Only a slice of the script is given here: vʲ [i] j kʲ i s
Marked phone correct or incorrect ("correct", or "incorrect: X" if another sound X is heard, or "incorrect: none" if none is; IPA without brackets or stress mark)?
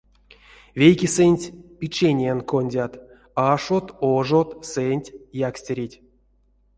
incorrect: e